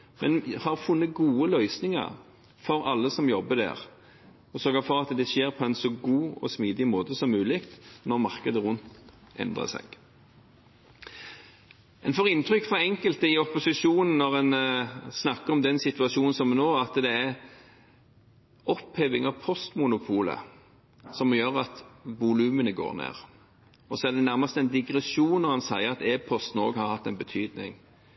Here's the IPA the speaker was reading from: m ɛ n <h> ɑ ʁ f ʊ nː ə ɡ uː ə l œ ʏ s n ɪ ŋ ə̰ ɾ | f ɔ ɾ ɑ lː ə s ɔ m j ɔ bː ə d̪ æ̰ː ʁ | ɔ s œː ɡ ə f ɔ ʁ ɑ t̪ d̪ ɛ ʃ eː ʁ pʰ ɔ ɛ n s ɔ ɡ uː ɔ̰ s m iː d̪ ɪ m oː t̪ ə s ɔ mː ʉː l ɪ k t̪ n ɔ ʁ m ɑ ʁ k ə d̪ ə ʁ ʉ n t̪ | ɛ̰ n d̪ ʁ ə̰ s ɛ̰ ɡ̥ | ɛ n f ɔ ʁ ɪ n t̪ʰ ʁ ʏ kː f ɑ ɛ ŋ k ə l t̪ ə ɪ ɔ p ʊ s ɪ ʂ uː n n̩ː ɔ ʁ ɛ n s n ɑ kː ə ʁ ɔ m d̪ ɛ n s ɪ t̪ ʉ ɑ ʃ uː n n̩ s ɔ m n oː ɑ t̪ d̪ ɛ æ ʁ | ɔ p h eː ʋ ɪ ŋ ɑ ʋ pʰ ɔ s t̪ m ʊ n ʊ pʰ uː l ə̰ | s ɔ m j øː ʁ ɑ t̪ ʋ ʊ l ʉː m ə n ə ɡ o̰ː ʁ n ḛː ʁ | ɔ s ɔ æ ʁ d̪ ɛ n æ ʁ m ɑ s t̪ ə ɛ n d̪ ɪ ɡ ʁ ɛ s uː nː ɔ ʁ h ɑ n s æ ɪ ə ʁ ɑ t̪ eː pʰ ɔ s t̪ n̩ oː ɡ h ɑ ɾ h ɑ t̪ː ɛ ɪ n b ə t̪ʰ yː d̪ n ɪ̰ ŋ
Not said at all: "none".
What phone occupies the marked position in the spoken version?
h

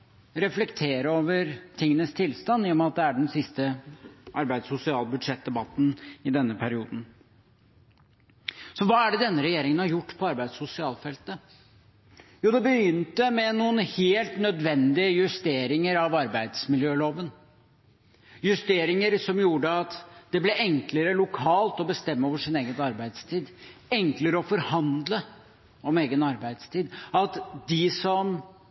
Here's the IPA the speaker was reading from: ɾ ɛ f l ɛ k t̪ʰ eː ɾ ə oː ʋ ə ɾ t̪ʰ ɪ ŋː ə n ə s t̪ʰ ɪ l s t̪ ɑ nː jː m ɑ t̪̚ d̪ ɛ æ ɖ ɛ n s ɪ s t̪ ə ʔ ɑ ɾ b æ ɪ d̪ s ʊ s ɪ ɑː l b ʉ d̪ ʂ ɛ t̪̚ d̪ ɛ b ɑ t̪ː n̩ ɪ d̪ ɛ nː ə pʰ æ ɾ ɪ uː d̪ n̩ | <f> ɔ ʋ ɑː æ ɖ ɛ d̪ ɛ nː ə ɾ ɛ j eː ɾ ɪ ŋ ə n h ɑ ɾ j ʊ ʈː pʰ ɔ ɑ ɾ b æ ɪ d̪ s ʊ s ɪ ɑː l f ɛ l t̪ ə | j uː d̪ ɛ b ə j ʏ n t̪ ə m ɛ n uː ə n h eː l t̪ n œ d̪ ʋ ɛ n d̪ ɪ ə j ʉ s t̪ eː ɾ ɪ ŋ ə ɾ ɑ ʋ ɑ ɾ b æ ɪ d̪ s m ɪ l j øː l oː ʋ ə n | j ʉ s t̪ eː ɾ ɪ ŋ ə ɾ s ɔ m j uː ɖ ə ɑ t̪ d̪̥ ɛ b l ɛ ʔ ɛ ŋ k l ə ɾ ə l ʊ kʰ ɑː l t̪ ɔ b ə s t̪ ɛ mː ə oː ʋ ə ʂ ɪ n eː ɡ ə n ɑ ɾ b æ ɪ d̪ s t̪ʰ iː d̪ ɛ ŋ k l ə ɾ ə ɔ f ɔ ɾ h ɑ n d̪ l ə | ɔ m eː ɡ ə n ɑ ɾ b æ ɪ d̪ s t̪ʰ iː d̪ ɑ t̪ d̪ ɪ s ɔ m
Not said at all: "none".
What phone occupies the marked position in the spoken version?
s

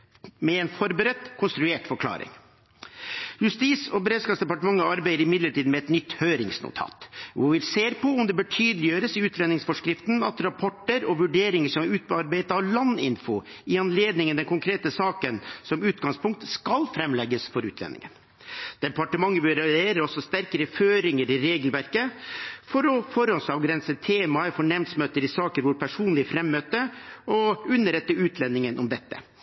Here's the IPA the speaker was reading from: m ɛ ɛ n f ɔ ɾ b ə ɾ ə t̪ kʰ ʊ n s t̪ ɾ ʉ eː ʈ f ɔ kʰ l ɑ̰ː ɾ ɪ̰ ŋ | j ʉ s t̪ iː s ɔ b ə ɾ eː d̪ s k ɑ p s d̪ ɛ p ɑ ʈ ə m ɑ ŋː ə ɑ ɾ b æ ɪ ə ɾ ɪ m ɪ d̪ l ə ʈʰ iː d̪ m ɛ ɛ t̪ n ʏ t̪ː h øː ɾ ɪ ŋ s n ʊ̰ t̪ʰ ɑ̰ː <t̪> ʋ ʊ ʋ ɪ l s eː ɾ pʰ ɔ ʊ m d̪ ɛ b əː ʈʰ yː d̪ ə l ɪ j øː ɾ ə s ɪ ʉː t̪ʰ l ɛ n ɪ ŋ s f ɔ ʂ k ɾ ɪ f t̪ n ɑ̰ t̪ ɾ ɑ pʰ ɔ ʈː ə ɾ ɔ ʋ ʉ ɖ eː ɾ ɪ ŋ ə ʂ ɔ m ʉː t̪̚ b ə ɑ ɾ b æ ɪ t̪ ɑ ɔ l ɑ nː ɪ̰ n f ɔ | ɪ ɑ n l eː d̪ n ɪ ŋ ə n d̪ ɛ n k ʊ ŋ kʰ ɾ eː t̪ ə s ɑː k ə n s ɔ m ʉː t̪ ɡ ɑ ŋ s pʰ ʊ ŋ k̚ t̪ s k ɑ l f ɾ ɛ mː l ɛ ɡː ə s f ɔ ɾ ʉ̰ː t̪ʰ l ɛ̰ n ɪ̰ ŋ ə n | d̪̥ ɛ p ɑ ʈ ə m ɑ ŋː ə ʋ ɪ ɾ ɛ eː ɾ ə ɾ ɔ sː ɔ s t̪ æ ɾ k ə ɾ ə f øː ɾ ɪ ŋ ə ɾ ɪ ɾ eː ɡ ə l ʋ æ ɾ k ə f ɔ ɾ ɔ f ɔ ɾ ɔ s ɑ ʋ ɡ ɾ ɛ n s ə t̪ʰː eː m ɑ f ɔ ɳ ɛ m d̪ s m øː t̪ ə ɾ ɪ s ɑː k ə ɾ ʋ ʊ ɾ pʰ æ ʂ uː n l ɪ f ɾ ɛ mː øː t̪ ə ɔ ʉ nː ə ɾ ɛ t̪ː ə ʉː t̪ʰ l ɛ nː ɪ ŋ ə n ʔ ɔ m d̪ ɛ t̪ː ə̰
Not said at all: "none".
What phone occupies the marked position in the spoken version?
t̪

